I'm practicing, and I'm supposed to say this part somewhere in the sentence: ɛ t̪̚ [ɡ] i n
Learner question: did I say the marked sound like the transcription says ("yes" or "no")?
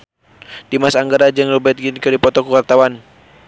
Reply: yes